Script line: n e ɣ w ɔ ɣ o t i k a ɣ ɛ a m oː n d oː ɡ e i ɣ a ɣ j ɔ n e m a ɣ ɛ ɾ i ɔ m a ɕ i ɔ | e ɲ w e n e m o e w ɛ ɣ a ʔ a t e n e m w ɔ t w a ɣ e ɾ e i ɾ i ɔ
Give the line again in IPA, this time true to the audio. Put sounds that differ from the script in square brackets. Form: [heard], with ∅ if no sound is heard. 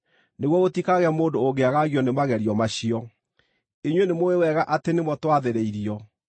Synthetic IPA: n e ɣ w ɔ ɣ o t i k a ɣ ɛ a m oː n d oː ɡ e [a] ɣ a ɣ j ɔ n e m a ɣ ɛ ɾ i ɔ m a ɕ i ɔ | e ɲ w e n e m o e w ɛ ɣ a ʔ a t e n e m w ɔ t w a [ð] e ɾ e i ɾ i ɔ